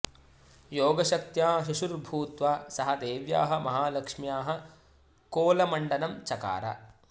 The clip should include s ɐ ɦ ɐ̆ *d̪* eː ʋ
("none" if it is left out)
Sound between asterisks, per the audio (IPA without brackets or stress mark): d̪